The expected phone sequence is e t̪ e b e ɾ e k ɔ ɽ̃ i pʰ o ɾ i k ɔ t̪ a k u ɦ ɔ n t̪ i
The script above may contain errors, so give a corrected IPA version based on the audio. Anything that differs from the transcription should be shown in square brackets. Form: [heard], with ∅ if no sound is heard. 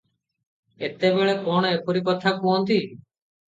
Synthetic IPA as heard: e t̪ e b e [ɭ] e k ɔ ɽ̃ [e] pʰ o ɾ i k ɔ [t̪ʰ] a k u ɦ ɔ n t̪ i